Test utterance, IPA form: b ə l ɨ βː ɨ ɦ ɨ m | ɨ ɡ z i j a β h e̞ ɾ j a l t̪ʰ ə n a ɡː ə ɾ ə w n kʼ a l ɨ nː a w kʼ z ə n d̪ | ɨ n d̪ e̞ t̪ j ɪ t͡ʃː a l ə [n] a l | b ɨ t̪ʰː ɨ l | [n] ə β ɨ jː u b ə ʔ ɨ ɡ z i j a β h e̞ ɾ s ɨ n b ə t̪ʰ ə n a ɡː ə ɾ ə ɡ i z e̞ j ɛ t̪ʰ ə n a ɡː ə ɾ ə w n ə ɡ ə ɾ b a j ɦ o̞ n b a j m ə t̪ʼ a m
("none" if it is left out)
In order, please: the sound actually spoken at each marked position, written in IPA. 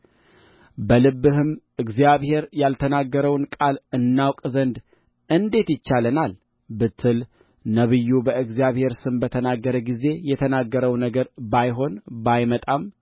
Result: n, n

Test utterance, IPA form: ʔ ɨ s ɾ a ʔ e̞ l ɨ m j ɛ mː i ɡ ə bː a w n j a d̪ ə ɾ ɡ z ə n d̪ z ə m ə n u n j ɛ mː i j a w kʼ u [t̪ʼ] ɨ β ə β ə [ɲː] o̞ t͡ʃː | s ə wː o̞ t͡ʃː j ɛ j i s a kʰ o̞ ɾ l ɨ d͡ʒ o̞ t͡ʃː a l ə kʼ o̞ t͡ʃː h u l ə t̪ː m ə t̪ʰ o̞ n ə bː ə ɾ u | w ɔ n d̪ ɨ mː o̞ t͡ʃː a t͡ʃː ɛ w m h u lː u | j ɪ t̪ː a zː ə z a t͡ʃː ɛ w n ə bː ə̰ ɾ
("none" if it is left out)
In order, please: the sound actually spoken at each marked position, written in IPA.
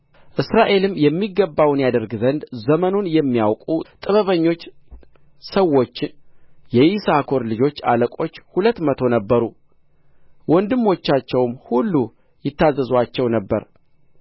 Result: t̪ʼ, ɲː

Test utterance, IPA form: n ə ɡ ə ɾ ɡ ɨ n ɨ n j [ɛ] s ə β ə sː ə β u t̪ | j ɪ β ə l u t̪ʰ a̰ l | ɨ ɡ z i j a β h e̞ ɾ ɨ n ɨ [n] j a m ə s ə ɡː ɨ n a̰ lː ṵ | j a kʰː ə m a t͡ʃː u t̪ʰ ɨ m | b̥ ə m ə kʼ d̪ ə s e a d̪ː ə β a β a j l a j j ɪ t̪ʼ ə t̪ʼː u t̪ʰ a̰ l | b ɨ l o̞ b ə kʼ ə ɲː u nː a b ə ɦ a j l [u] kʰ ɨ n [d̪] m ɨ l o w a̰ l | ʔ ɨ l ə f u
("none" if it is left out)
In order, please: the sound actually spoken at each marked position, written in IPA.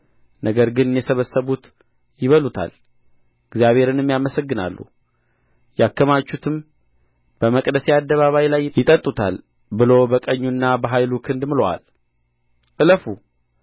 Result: ɛ, m, u, d̪

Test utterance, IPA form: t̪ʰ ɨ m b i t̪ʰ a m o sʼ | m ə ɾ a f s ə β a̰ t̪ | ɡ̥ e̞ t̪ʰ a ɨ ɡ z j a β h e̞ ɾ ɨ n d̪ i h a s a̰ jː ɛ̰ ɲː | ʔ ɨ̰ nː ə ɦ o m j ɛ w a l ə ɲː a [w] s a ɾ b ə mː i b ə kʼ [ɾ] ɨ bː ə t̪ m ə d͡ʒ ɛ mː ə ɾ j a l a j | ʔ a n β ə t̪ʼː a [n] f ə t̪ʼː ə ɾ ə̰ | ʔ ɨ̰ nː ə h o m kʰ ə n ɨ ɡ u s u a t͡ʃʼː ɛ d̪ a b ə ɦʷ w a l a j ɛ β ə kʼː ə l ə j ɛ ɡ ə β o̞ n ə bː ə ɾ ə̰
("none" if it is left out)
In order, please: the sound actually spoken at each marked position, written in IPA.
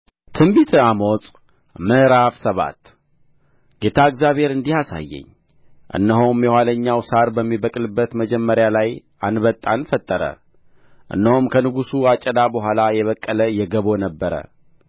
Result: w, l, n

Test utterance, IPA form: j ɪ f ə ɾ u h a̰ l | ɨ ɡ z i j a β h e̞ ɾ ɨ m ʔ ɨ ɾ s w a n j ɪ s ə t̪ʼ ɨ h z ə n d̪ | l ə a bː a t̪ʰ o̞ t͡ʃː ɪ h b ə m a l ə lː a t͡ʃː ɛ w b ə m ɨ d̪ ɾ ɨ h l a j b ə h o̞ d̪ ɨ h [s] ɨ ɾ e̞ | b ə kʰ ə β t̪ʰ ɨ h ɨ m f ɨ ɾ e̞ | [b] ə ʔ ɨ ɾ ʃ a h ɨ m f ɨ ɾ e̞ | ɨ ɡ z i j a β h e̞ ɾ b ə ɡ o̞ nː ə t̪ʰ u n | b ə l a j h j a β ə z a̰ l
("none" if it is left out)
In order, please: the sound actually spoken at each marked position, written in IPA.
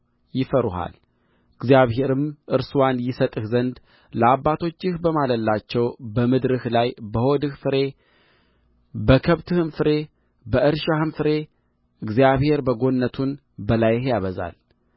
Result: f, b

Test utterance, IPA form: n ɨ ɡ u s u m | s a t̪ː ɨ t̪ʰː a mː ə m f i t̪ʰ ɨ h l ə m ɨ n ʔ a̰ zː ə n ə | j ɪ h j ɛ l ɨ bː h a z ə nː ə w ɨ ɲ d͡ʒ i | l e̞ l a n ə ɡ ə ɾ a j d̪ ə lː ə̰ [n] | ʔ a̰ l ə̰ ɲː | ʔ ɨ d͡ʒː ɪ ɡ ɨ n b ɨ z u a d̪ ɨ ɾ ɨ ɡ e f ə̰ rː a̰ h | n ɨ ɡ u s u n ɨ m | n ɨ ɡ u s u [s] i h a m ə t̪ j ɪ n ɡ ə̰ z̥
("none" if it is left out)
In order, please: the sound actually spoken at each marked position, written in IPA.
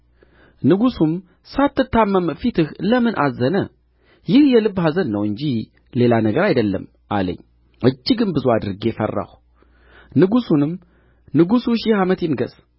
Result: m, ʃ

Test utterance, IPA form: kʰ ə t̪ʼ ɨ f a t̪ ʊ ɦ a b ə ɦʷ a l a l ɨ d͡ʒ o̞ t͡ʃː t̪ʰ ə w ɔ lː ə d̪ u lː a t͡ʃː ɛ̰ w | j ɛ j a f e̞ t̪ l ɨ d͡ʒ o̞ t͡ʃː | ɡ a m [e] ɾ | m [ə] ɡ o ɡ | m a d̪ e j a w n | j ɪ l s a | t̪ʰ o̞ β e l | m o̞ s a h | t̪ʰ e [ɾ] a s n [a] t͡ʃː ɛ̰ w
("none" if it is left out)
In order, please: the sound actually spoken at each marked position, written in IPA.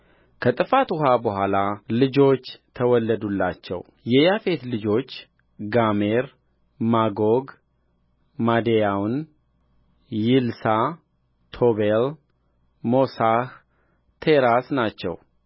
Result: e, a, ɾ, a

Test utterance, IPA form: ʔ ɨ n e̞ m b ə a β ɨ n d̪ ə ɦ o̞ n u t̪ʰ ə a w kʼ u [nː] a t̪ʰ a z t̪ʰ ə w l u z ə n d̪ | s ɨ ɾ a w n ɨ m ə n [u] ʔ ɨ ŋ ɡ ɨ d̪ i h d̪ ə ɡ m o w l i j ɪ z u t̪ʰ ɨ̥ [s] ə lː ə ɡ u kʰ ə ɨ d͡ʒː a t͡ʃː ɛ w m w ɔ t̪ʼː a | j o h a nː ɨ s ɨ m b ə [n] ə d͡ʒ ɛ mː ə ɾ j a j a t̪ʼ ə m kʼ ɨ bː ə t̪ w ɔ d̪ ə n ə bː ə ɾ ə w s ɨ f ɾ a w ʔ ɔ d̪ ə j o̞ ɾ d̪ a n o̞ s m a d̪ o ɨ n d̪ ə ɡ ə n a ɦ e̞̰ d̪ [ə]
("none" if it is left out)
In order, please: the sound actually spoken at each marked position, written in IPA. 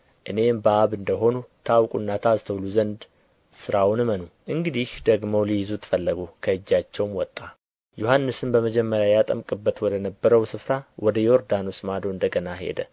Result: nː, u, f, m, ə

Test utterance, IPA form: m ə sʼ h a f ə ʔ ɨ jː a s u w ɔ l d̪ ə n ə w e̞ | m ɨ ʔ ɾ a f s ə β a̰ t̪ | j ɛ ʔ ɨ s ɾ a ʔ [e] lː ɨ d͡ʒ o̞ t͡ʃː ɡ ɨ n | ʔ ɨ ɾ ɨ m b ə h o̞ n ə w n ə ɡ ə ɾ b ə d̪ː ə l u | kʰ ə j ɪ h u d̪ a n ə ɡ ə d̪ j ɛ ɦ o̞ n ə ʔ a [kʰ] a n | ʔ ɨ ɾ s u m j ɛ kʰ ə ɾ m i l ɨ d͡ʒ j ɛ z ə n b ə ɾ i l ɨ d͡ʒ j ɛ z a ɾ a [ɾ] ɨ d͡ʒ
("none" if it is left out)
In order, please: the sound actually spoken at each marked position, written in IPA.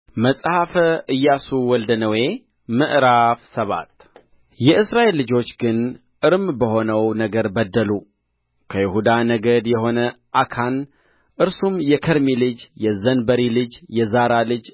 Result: e, kʰ, l

